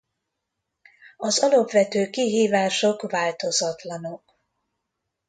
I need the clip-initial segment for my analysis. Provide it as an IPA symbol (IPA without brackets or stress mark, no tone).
ɒ